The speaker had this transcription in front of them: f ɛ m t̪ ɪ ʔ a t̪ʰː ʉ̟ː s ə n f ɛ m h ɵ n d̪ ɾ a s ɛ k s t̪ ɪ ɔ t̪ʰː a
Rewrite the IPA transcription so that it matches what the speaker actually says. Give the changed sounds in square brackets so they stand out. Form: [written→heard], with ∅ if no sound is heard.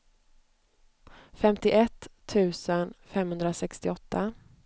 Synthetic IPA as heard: f ɛ m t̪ ɪ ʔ [a→ɛ] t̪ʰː ʉ̟ː s ə n f ɛ m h ɵ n d̪ ɾ a s ɛ k s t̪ ɪ ɔ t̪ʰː a